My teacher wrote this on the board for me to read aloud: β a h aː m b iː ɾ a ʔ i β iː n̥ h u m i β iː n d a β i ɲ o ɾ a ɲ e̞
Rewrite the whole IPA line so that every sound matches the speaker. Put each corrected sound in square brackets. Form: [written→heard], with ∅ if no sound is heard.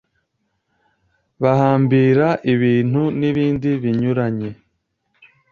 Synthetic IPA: β a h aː m b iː ɾ a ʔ i β iː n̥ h u [m→n] i β iː n d [a→i] β i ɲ [o→u] ɾ a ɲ e̞